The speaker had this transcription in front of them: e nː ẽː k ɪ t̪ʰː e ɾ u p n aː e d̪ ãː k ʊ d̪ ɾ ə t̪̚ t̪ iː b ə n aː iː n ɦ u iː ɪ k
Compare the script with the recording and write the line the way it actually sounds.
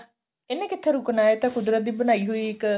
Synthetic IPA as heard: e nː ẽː k ɪ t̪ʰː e ɾ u k n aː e t̪ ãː k ʊ d̪ ɾ ə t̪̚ d̪ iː b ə n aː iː ɦ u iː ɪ k